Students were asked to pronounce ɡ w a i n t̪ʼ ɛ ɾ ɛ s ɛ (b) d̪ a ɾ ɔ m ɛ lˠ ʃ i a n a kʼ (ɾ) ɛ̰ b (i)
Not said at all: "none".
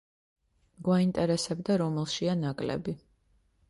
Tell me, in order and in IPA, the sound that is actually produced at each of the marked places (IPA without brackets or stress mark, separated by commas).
b, l, i